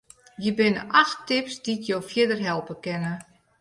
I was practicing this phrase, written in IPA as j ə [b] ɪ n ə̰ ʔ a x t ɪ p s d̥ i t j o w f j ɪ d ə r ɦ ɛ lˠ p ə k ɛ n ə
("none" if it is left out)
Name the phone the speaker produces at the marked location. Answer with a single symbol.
b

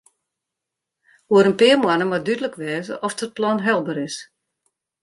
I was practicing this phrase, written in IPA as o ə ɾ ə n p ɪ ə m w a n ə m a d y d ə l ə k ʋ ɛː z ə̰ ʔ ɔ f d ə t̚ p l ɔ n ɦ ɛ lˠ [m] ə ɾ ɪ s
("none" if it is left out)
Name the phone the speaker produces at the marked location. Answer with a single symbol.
b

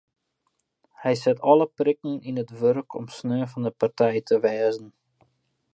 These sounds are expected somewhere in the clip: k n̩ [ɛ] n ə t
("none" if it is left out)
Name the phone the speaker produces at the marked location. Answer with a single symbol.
i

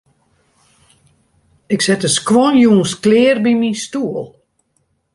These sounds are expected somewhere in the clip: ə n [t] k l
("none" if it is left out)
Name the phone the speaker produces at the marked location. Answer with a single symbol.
s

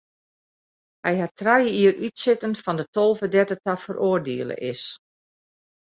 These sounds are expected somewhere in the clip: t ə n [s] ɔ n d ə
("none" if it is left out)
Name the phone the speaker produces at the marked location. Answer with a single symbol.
f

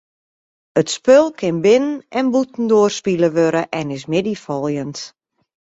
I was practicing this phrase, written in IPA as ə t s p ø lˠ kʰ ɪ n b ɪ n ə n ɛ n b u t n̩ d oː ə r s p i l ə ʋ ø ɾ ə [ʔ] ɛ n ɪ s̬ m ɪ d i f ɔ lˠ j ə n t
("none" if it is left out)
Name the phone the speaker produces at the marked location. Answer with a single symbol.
ʔ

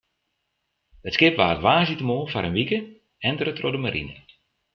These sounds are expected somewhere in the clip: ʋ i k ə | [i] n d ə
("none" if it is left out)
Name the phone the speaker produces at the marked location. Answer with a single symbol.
ɛ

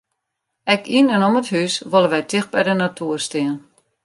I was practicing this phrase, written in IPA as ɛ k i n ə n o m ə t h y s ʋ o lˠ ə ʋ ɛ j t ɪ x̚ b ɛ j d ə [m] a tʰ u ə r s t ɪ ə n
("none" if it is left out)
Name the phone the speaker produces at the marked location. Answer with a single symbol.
n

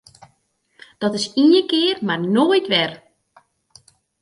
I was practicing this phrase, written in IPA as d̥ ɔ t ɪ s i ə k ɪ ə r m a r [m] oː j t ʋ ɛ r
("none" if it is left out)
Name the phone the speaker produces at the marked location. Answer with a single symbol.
n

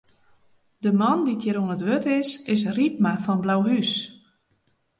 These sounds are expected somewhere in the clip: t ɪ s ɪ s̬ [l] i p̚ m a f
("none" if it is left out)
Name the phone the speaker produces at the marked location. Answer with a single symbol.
r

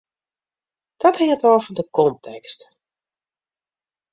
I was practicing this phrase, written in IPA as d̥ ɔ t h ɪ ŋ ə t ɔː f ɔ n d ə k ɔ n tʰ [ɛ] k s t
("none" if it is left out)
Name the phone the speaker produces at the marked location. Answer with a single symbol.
ɛ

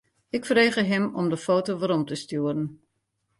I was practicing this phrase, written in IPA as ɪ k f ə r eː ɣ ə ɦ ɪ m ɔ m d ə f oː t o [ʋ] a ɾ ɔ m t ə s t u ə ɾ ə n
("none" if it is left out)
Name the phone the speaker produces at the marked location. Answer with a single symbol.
ʋ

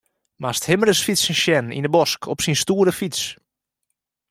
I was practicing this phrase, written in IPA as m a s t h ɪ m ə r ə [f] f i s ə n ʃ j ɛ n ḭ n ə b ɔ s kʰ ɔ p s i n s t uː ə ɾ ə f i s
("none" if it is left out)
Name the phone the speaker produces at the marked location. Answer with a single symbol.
s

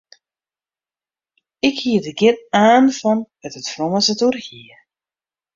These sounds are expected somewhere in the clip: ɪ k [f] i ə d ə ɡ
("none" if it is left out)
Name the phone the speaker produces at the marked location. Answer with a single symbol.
h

